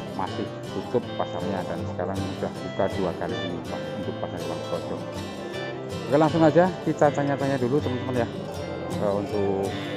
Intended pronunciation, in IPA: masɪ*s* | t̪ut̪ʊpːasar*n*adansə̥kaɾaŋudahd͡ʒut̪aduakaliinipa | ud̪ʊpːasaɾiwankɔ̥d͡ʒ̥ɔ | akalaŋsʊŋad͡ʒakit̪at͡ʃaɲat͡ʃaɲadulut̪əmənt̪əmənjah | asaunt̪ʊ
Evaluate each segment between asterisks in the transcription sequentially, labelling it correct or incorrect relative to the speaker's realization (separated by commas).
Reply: incorrect, incorrect